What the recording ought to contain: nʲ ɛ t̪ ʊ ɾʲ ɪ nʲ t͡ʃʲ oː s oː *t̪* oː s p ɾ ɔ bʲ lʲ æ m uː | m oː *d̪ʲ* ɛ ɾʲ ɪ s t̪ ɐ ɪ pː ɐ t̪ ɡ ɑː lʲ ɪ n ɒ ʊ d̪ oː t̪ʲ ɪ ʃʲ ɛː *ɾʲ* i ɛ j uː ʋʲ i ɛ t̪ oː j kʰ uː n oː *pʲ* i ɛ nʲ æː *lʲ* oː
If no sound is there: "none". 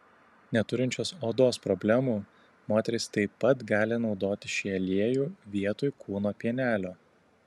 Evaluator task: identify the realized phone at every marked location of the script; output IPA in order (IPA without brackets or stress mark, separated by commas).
d̪, t̪ʲ, lʲ, pʲ, lʲ